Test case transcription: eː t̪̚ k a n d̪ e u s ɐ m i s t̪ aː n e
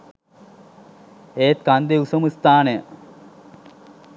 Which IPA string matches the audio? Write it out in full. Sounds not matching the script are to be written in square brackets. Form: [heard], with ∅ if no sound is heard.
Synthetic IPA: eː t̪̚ k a n d̪ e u s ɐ m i s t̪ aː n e

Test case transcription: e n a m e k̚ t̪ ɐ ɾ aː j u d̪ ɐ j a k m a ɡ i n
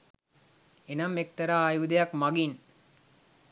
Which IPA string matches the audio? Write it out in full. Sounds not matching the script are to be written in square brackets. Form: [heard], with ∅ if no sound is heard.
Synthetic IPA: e n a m e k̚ t̪ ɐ ɾ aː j u d̪ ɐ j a k m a ɡ i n

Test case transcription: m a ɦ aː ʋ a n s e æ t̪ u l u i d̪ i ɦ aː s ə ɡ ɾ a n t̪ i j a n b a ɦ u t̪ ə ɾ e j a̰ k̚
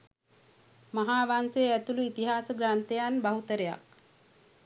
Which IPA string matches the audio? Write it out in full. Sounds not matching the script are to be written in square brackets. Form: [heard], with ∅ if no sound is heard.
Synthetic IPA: m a ɦ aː ʋ a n s e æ t̪ u l u i [t̪] i ɦ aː s ə ɡ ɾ a n t̪ [e] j a n b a ɦ u t̪ ə ɾ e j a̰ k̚

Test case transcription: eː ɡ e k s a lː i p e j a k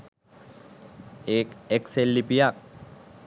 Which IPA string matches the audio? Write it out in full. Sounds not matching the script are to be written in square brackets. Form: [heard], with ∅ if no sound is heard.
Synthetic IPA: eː [k] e k s [e] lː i p [i] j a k

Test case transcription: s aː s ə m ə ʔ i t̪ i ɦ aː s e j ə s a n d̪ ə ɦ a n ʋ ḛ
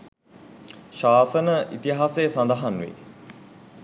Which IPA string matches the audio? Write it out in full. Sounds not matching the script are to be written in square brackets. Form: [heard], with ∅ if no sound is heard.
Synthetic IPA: [ʃ] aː s ə [n] ə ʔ i t̪ i ɦ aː s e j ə s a n d̪ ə ɦ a n ʋ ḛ

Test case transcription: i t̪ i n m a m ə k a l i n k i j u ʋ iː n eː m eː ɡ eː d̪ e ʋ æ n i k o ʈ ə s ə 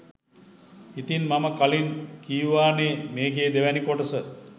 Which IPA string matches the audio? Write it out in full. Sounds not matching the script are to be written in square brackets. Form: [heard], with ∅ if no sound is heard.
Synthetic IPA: i t̪ i n m a m ə k a l i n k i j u ʋ [aː] n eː m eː ɡ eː d̪ e ʋ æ n i k o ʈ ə s ə

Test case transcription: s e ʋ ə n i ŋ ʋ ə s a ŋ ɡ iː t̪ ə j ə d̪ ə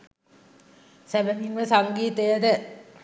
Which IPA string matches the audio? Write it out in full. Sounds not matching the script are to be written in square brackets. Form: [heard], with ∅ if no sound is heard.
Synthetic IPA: s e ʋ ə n i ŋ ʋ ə s a ŋ ɡ iː t̪ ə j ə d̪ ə

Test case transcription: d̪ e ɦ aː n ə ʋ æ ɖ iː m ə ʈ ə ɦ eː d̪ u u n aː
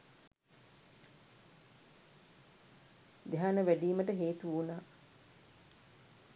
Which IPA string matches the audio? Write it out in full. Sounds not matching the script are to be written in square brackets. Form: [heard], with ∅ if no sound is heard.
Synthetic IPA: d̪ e ɦ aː n ə ʋ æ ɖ iː m ə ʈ ə ɦ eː [t̪] u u n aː

